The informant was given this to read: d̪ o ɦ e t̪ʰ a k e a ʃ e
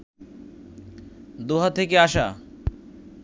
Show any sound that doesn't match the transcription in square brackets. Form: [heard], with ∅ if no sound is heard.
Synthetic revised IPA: d̪ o ɦ [a] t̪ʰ [e] k e a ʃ [a]